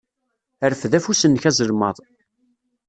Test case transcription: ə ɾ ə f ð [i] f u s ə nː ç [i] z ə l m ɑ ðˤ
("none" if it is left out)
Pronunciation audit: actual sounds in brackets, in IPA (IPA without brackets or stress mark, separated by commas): æ, æ